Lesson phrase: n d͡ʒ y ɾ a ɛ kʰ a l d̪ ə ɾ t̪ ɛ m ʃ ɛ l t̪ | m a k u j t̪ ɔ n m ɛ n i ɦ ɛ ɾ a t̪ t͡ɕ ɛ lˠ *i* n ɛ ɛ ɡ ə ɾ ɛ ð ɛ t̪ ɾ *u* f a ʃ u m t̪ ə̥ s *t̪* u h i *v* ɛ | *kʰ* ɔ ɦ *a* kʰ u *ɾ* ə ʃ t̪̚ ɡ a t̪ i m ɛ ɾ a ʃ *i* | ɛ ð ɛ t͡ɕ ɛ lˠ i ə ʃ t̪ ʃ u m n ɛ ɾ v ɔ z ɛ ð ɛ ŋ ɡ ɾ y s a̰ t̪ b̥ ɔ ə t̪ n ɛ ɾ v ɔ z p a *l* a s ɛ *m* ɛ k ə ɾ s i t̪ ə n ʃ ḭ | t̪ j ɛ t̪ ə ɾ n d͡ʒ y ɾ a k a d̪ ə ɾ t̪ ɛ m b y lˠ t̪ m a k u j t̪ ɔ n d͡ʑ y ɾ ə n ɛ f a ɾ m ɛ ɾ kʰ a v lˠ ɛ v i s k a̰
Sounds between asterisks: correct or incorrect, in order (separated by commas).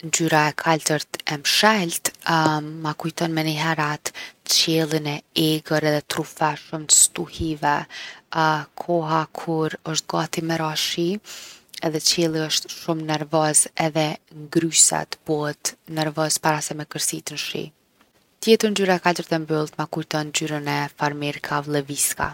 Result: correct, correct, correct, correct, correct, correct, correct, correct, incorrect, correct